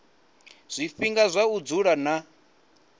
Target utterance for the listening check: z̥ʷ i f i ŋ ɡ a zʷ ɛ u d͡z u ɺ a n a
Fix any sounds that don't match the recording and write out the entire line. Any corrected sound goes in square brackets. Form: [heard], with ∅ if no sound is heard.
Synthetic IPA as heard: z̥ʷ i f i ŋ ɡ a zʷ [a] u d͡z u ɺ a n a